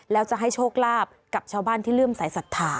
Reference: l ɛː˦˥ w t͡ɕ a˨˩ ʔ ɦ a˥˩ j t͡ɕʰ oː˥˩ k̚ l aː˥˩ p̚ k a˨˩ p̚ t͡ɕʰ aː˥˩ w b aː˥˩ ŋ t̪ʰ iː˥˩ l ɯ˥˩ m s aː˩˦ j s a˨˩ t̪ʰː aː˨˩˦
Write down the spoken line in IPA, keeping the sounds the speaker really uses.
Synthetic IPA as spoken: l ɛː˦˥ w t͡ɕ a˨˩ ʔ ɦ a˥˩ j t͡ɕʰ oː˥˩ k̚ l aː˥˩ p̚ k a˨˩ p̚ t͡ɕʰ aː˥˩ w b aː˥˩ n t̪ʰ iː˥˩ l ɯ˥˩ m s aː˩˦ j s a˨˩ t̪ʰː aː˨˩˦